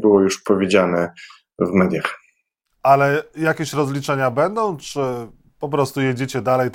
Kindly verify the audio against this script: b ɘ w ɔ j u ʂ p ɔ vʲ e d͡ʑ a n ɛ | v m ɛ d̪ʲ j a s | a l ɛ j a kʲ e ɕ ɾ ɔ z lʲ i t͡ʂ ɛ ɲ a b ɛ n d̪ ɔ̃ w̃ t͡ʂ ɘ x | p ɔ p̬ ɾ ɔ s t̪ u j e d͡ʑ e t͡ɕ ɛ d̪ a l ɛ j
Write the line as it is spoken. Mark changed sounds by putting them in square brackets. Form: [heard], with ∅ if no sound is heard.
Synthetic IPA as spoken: b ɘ w ɔ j u ʂ p ɔ vʲ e d͡ʑ a n ɛ | v m ɛ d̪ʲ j a [x] | a l ɛ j a kʲ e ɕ ɾ ɔ z lʲ i t͡ʂ ɛ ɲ a b ɛ n d̪ ɔ̃ w̃ t͡ʂ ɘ [∅] | p ɔ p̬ ɾ ɔ s t̪ u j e d͡ʑ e t͡ɕ ɛ d̪ a l ɛ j